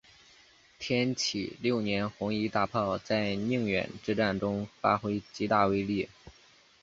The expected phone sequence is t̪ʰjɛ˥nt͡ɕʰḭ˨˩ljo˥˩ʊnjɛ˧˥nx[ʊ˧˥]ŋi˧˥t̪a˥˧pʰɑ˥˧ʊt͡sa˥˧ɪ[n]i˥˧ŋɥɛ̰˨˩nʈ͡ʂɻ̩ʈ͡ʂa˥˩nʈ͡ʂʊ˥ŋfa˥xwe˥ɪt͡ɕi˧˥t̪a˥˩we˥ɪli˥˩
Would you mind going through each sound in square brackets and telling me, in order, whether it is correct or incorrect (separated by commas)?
correct, correct